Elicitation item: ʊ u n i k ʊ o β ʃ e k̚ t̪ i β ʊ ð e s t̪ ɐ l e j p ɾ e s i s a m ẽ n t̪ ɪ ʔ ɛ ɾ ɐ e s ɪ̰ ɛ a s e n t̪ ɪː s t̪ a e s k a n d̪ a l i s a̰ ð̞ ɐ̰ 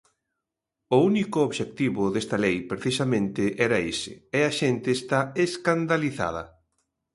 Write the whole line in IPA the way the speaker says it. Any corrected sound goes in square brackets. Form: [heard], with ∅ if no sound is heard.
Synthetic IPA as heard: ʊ u n i k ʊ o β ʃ e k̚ t̪ i β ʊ ð e s t̪ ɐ l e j p ɾ e [θ] i s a m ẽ n t̪ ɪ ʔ ɛ ɾ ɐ e s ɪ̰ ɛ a [ʃ] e n t̪ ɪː s t̪ a e s k a n d̪ a l i [θ] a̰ ð̞ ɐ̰